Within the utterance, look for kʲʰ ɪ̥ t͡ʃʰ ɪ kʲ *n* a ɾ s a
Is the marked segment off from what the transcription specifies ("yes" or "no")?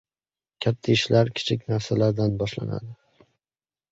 no